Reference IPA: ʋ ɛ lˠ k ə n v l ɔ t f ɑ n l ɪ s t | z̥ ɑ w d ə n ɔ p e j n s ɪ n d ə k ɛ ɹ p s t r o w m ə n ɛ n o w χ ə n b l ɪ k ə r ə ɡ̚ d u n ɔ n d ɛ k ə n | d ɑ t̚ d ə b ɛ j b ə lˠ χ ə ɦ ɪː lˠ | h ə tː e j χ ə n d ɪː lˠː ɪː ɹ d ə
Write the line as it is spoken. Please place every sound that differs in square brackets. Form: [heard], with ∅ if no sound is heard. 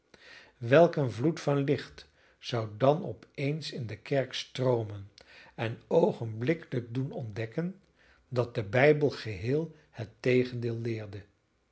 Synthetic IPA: ʋ ɛ lˠ k ə n v l [u] t f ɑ n l ɪ [χ] t | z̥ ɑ w d [ɑ] n ɔ p e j n s ɪ n d ə k ɛ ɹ [k] s t r o w m ə n ɛ n o w χ ə n b l ɪ k ə [l] ə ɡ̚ d u n ɔ n d ɛ k ə n | d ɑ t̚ d ə b ɛ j b ə lˠ χ ə ɦ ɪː lˠ | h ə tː e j χ ə n d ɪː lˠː ɪː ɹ d ə